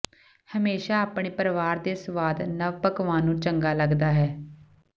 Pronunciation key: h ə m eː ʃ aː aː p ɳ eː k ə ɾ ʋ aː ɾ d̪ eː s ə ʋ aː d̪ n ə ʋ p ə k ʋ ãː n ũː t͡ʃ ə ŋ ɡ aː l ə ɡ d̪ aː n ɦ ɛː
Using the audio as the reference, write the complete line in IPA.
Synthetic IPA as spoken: h ə m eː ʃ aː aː p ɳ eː p ə ɾ ʋ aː ɾ d̪ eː s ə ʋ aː d̪ n ə ʋ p ə k ʋ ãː n ũː t͡ʃ ə ŋ ɡ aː l ə ɡ d̪ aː ɦ ɛː